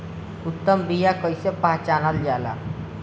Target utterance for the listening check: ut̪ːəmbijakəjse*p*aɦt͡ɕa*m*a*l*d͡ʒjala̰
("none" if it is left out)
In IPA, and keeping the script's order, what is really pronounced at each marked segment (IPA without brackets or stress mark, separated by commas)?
p, n, l